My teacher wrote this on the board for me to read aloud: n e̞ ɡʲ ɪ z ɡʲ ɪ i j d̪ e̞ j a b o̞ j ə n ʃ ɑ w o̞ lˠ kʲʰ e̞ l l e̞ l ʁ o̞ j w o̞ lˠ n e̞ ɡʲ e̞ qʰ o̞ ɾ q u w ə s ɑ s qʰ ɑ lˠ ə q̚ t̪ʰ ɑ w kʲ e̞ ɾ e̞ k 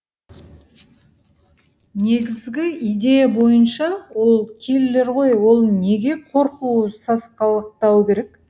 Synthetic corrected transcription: n e̞ ɡʲ ɪ z ɡʲ ɪ i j d̪ e̞ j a b o̞ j ə n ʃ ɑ w o̞ lˠ kʲʰ e̞ l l e̞ ɾ ʁ o̞ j w o̞ lˠ n e̞ ɡʲ e̞ qʰ o̞ ɾ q u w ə s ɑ s q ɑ lˠ ə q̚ t̪ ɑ w kʲ e̞ ɾ e̞ k